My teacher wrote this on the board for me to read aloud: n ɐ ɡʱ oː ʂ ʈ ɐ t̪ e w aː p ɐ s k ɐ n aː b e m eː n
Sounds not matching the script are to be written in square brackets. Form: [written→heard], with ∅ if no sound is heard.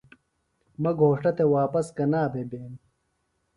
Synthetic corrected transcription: [n→m] ɐ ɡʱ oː ʂ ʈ ɐ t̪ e w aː p ɐ s k ɐ n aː b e [m→b] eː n